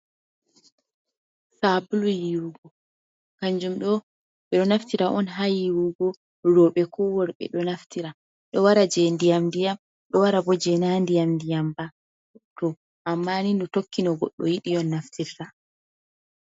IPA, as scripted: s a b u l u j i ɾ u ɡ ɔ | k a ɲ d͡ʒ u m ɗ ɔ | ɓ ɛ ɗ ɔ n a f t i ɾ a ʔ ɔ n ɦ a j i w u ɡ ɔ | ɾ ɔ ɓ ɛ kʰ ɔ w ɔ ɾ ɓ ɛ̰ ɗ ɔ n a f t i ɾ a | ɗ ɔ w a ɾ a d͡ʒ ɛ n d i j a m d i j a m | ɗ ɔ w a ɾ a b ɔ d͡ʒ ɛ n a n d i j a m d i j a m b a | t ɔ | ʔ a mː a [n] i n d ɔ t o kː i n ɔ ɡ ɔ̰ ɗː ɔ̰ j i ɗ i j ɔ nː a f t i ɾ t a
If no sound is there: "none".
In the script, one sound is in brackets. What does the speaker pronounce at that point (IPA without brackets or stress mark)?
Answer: n